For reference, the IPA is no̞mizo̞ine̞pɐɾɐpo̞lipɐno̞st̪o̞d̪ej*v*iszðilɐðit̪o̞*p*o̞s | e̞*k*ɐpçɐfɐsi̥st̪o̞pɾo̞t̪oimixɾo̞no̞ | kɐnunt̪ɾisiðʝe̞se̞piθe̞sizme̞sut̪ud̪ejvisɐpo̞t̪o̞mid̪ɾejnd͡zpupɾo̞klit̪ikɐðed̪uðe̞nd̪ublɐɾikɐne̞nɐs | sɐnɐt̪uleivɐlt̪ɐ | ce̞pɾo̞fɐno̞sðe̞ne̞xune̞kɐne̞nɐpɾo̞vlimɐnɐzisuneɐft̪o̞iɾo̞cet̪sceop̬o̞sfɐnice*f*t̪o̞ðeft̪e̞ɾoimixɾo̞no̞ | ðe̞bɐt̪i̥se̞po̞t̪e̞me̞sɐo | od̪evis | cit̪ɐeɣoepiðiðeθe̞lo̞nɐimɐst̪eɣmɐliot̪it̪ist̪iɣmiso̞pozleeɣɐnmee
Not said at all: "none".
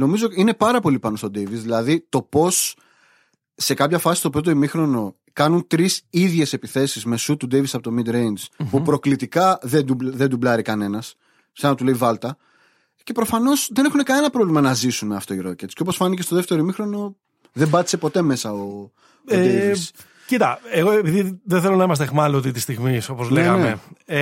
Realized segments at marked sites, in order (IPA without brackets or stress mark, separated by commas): v, p, k, s